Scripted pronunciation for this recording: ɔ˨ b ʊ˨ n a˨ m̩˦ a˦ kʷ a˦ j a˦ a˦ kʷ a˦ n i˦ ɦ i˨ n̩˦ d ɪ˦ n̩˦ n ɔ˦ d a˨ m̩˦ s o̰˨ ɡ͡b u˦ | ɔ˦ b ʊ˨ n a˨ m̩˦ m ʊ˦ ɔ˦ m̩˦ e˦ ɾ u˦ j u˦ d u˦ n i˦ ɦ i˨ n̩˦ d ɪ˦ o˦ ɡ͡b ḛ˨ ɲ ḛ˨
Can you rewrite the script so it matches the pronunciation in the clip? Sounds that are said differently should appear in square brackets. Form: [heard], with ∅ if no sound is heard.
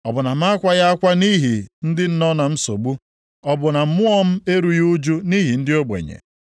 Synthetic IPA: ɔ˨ b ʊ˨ n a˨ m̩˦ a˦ kʷ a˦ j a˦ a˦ kʷ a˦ n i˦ ɦ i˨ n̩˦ d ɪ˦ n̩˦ n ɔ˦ [n] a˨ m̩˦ s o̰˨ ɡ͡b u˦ | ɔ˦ b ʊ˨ n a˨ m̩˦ m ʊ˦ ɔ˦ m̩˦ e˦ ɾ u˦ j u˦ [d͡ʒ] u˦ n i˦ ɦ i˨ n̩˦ d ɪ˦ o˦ ɡ͡b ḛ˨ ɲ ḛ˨